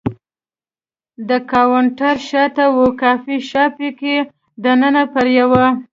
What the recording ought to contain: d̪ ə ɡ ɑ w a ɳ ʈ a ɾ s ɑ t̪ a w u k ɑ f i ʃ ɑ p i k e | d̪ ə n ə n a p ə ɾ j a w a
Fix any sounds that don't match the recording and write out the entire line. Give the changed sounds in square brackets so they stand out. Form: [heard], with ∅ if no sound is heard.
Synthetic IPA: d̪ ə [k] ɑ w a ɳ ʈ a ɾ [ʃ] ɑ t̪ a w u k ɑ f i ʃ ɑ p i k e | d̪ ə n ə n a p ə ɾ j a w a